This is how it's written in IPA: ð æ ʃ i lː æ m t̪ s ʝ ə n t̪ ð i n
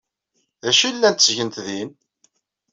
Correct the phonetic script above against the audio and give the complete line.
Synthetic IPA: ð æ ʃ i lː æ n t̪ s ʝ ə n t̪ ð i n